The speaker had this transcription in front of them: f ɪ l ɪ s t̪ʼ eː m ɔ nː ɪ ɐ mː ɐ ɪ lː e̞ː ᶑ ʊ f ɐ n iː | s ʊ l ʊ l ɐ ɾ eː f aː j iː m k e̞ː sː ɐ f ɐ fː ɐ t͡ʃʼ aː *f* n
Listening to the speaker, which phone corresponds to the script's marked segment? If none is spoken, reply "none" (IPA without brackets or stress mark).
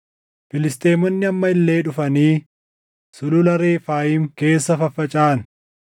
none